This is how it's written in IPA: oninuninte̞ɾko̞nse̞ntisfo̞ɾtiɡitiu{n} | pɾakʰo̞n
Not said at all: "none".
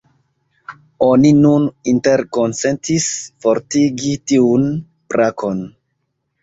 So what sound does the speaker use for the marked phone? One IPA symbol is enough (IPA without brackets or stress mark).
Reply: n